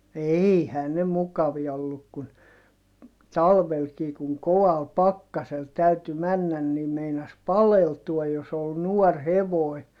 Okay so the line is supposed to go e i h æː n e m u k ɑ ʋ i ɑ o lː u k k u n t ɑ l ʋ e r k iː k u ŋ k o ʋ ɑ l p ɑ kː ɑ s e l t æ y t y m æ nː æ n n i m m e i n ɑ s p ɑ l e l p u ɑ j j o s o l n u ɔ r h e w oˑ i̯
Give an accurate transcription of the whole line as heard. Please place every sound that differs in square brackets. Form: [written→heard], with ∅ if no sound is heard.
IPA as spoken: e i h æː n e m u k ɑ ʋ i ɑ o lː u k k u n t ɑ l ʋ e [r→l] k iː k u ŋ k o ʋ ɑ l p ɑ kː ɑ s e l t æ y t y m æ nː æ n n i m m e i n ɑ s p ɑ l e l [p→t] u ɑ j j o s o l n u ɔ r h e [w→ʋ] oˑ i̯